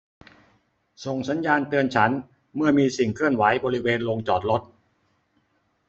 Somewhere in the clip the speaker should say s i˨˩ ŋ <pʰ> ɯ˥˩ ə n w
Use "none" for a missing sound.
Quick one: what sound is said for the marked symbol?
kʰ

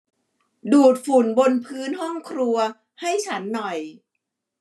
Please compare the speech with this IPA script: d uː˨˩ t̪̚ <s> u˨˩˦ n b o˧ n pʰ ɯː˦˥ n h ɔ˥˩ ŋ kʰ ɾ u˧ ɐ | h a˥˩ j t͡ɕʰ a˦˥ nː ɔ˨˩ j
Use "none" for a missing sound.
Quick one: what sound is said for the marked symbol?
f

